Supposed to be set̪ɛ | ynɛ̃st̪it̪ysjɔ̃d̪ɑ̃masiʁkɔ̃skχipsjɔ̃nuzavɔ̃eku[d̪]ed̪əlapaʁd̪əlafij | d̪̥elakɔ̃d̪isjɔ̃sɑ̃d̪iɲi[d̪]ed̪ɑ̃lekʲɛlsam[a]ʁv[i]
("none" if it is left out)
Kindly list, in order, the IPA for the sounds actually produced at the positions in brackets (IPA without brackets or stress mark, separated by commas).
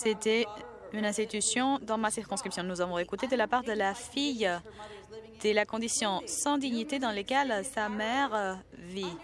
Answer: t̪, t̪, ɛ, i